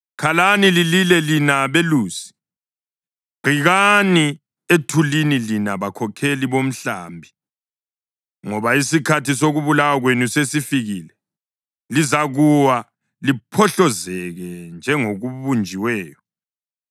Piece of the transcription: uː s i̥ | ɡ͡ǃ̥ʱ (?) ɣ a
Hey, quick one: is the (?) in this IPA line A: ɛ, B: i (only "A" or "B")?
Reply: B